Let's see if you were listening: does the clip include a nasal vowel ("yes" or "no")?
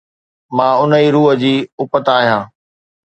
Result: yes